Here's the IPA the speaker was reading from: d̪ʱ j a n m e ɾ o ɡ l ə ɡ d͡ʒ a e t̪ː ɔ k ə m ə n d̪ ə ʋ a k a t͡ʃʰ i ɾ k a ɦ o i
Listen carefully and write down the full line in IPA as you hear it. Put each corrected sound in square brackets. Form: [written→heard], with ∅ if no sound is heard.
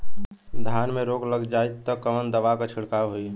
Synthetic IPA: d̪ʱ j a n m e ɾ o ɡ l ə ɡ d͡ʒ a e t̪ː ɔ k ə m ə n d̪ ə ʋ a k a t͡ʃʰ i [ɾ→ɽ] k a ɦ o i